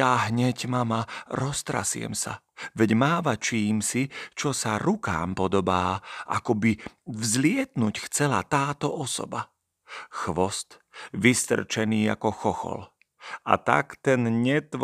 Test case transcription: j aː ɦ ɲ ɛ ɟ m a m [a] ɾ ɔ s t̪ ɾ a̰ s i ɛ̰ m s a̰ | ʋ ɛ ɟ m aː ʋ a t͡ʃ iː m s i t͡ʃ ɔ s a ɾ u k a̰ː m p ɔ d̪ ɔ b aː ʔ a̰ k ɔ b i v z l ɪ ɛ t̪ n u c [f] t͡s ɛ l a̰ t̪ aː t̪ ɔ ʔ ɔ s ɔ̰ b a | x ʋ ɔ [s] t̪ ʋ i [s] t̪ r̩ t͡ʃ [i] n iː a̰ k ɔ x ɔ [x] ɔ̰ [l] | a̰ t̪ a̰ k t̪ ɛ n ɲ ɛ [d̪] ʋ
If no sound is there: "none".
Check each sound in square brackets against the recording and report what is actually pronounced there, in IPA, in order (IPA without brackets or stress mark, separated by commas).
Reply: a, x, s, s, ɛ, x, l, t̪